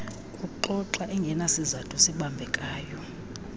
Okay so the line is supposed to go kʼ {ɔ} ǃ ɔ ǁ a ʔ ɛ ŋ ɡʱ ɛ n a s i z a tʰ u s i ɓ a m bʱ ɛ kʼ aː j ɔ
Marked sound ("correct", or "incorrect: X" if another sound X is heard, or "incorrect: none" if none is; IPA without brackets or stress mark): incorrect: u